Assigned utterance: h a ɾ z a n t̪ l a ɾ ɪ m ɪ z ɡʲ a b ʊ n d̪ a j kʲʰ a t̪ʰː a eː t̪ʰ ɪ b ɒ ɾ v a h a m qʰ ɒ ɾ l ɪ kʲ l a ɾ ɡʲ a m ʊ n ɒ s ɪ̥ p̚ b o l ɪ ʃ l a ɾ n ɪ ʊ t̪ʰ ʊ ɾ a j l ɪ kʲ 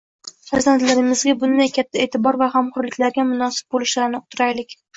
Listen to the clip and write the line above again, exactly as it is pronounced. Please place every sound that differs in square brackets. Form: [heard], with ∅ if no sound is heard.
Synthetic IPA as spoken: [f] a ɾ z a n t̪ l a ɾ ɪ m ɪ z ɡʲ a b ʊ n d̪ a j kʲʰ a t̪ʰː a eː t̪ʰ ɪ b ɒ ɾ v a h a m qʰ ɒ ɾ l ɪ kʲ l a ɾ ɡʲ a m ʊ n ɒ s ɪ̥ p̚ b o l ɪ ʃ l a ɾ n ɪ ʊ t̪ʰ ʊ ɾ a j l ɪ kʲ